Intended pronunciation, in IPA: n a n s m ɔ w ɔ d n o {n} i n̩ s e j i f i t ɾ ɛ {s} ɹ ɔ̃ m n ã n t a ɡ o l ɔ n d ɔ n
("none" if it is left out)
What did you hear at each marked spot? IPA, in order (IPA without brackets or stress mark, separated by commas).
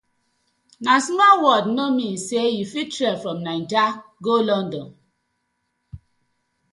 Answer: m, f